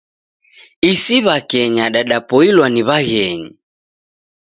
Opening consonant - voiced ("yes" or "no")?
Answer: no